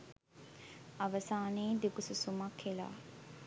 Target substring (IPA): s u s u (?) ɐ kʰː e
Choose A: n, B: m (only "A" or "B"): B